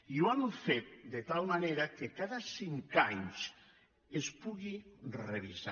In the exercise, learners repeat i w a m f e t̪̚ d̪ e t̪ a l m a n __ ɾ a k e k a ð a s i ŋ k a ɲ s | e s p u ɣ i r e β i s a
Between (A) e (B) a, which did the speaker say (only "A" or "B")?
A